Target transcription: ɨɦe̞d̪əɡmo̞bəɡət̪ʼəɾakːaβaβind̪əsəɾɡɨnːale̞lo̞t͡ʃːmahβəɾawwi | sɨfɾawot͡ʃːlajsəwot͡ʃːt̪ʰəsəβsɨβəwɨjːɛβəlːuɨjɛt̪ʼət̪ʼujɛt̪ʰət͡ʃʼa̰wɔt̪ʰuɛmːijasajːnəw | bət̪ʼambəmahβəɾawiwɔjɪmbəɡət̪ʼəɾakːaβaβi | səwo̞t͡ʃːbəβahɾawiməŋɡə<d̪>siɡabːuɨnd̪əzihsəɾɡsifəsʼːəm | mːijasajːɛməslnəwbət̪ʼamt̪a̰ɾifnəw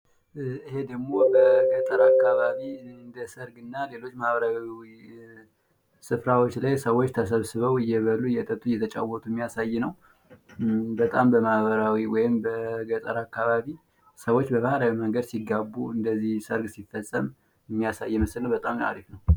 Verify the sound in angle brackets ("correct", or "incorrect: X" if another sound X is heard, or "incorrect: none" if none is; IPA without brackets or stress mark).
correct